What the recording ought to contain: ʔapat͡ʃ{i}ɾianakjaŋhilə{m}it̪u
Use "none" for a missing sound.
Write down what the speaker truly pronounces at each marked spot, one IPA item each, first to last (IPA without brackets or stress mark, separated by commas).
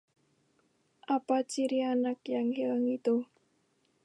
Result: i, ŋ